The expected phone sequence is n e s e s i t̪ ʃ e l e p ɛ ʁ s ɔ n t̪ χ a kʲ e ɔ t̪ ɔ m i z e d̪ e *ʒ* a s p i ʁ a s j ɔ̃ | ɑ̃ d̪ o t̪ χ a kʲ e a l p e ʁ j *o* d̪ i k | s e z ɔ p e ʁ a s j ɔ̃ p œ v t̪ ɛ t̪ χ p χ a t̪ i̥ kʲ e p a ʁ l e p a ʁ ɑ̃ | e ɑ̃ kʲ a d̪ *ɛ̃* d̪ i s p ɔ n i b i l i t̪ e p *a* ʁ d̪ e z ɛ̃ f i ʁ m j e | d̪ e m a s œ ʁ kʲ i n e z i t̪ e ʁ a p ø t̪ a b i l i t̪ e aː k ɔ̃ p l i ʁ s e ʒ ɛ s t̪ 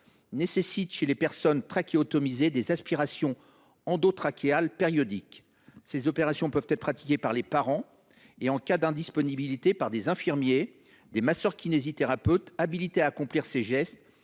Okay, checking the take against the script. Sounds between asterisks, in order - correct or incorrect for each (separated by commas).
incorrect, incorrect, correct, correct